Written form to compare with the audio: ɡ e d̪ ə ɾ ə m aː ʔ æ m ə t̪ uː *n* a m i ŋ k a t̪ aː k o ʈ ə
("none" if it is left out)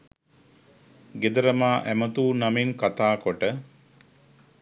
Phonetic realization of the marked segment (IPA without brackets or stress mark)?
n